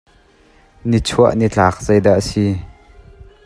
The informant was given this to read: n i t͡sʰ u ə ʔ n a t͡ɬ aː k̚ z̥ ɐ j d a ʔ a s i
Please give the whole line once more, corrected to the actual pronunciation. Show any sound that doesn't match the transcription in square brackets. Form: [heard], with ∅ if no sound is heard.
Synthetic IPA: n i t͡sʰ u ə ʔ n [i] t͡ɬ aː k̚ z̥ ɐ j d a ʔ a s i